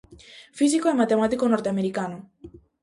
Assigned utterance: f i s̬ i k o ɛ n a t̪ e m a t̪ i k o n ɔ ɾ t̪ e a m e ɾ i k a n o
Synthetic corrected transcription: f i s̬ i k o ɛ m a t̪ e m a t̪ i k o n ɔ ɾ t̪ e a m e ɾ i k a n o